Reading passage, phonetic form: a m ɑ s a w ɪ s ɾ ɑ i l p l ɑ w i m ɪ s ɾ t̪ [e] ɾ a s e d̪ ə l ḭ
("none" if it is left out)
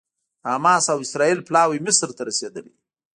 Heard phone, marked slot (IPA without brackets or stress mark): a